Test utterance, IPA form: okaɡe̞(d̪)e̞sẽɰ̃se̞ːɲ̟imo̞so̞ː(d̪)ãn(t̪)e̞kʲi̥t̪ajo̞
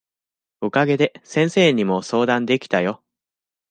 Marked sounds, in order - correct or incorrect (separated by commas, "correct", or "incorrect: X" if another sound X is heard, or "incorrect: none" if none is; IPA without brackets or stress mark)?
correct, correct, incorrect: d̪